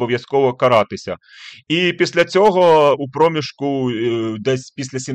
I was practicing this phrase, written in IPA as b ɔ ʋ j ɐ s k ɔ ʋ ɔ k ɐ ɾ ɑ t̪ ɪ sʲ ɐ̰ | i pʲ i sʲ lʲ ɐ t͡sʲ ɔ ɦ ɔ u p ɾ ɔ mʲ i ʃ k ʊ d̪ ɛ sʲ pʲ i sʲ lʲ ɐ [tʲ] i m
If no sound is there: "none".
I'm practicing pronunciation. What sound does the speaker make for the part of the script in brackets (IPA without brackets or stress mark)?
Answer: sʲ